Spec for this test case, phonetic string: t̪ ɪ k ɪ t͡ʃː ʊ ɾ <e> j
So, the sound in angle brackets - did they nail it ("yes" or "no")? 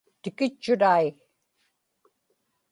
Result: no